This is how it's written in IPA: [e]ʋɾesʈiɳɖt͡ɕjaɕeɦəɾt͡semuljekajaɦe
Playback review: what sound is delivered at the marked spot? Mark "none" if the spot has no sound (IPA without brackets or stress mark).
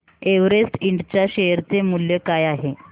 e